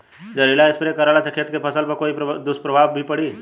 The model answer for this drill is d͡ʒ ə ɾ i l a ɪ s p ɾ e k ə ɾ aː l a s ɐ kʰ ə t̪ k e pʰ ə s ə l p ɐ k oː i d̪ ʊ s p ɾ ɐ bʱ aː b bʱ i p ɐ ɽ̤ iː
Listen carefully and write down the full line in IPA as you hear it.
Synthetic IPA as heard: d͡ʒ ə ɾ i l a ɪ s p ɾ e k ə ɾ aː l a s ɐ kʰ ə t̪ k e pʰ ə s ə l p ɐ k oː i d̪ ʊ s p ɾ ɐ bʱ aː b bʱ i p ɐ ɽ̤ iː